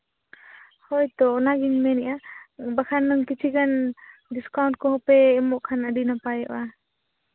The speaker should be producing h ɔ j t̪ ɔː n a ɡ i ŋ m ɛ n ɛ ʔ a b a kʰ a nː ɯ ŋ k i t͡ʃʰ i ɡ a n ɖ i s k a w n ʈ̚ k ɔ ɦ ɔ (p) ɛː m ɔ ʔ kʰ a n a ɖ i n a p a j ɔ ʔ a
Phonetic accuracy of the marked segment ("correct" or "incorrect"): correct